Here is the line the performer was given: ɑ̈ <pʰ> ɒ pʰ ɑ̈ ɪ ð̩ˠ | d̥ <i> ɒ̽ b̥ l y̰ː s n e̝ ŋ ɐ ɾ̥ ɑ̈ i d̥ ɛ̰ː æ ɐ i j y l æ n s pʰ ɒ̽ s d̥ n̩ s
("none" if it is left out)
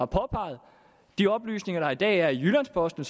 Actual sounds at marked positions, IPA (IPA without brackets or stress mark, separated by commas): pʰ, i